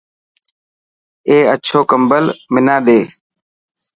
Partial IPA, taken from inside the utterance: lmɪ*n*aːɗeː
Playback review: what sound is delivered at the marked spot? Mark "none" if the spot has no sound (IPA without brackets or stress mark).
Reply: n